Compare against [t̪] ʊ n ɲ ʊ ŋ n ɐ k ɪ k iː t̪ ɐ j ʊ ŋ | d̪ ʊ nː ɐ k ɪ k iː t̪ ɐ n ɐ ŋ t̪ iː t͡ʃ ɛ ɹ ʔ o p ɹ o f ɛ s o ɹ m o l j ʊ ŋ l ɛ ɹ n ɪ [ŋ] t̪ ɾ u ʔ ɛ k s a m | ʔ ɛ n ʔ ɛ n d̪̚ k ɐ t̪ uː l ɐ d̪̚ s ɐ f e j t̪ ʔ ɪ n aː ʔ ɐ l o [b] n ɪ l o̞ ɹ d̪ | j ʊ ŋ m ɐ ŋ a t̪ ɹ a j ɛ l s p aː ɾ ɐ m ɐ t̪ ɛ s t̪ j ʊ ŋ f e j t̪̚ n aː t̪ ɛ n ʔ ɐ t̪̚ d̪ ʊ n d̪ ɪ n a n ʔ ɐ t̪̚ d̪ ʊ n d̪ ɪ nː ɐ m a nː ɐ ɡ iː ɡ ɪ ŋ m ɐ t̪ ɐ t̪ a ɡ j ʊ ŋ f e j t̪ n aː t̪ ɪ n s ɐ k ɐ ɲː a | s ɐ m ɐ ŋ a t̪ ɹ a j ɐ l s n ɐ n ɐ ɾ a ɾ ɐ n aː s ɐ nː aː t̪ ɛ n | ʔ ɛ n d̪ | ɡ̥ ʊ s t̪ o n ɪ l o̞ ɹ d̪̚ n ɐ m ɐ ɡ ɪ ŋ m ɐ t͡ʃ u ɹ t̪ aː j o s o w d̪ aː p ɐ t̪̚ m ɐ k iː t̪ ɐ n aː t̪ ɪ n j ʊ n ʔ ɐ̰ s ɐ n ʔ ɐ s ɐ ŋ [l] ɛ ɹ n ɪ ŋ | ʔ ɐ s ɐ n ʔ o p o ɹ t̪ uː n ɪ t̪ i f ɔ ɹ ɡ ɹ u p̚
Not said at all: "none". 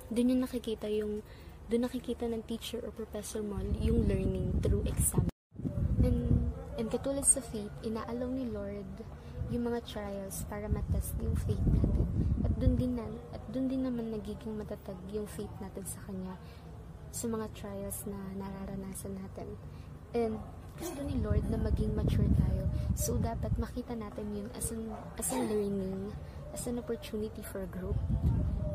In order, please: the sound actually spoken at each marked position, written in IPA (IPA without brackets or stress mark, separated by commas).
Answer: d̪, ŋ, w, l